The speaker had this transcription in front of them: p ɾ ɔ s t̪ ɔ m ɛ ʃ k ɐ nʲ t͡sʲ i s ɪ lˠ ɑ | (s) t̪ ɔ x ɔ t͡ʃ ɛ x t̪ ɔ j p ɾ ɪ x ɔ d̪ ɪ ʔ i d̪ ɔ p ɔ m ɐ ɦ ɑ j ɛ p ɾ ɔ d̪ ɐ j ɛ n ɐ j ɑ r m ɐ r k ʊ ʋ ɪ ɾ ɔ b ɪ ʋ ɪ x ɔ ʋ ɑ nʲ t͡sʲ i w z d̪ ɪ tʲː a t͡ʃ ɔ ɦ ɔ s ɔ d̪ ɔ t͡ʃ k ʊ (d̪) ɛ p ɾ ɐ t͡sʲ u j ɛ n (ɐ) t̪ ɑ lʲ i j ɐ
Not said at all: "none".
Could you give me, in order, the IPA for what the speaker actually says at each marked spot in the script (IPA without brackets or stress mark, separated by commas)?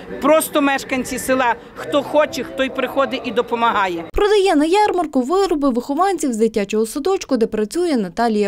x, d̪, ɐ